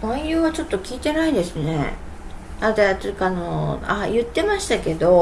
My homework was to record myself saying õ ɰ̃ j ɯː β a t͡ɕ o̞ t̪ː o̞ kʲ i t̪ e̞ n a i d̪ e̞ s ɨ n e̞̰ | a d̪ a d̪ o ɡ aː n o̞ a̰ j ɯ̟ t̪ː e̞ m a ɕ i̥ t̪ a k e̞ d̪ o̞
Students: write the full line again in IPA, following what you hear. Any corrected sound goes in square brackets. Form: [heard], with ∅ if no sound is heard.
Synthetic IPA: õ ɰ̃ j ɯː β a t͡ɕ o̞ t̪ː o̞ kʲ [iː] t̪ e̞ n a i d̪ e̞ s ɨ n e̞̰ | a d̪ a [t̪] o [k] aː n o̞ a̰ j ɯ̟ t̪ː e̞ m a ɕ i̥ t̪ a k e̞ d̪ o̞